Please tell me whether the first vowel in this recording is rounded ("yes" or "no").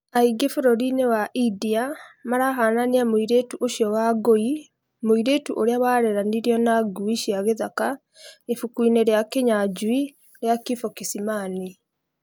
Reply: no